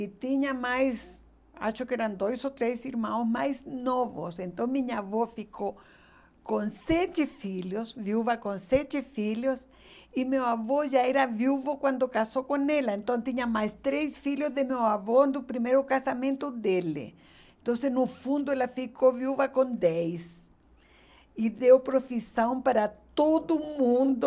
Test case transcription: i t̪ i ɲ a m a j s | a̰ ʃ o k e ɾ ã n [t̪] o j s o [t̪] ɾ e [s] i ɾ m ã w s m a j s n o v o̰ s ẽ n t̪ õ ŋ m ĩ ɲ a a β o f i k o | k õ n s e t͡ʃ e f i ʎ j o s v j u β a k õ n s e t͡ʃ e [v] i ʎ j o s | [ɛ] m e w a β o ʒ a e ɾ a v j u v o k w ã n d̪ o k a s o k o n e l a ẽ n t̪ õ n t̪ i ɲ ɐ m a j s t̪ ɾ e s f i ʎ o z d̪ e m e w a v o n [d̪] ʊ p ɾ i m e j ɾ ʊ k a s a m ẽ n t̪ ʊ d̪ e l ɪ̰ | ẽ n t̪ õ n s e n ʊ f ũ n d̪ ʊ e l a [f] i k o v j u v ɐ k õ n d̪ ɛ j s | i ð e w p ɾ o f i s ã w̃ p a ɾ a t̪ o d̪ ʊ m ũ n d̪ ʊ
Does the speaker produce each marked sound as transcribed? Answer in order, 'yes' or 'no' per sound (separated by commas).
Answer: no, yes, yes, no, no, yes, yes